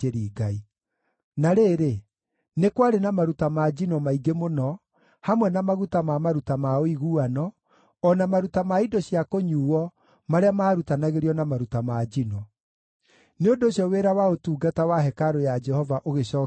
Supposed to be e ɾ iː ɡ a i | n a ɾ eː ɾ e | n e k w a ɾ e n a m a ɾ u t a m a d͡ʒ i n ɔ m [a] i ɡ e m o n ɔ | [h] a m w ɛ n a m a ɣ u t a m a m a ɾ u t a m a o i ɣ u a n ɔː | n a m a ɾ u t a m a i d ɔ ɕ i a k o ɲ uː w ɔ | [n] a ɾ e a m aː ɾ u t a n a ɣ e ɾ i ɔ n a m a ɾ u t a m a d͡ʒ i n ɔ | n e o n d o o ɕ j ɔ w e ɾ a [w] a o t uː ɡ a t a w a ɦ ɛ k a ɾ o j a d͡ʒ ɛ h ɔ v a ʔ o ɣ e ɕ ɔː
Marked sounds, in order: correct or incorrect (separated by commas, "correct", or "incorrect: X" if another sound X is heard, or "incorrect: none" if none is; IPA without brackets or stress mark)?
correct, correct, incorrect: m, correct